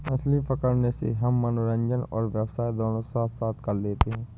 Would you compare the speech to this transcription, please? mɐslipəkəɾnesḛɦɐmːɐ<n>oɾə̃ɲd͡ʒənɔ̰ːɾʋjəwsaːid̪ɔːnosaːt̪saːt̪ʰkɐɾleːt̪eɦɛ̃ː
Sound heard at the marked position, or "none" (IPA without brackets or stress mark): n